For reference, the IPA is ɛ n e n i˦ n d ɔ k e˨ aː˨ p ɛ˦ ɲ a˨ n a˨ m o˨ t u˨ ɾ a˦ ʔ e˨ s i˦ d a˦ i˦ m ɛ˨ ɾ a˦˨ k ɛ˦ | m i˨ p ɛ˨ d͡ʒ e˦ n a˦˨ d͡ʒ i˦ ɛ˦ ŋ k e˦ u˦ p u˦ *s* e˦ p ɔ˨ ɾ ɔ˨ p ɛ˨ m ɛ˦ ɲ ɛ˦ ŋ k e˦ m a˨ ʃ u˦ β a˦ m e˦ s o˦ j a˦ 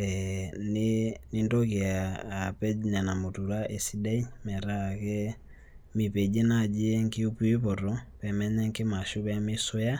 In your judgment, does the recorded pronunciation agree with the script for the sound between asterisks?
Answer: no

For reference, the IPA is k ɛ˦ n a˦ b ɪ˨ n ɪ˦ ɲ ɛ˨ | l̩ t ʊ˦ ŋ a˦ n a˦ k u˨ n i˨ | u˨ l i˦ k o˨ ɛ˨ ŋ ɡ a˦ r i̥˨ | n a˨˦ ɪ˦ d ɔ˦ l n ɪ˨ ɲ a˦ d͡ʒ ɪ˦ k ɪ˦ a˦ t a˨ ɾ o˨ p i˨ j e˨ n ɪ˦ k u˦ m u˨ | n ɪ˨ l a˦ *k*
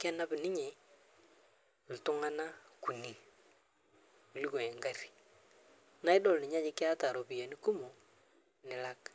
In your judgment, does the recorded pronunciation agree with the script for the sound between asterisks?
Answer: yes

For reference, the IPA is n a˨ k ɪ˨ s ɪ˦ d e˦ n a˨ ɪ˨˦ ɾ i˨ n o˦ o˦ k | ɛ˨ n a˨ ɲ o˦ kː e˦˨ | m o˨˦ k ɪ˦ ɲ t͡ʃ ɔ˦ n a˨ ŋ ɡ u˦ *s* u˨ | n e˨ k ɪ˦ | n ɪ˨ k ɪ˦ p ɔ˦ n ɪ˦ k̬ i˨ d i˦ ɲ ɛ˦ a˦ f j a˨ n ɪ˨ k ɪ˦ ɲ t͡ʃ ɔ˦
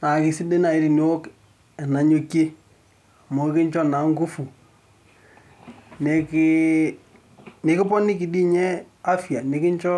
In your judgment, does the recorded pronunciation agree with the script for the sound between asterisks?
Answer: no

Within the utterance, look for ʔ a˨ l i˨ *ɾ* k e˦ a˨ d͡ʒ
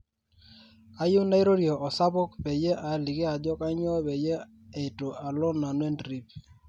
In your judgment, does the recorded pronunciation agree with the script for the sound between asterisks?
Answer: no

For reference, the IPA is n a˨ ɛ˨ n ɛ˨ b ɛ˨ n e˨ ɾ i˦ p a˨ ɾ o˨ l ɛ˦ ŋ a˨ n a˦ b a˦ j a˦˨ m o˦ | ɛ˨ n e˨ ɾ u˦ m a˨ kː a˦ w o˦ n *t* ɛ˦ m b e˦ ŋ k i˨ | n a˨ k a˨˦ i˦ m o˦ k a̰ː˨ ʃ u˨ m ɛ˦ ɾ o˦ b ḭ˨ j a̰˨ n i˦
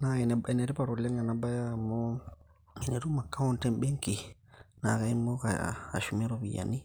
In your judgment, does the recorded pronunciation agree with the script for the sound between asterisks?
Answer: yes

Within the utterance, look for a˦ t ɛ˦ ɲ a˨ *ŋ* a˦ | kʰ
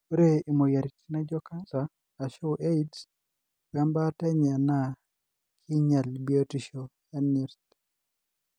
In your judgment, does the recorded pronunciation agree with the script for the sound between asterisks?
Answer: no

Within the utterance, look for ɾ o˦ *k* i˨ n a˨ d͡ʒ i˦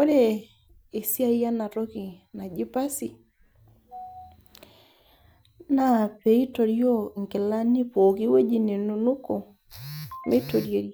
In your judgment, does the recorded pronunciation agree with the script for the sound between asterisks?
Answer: yes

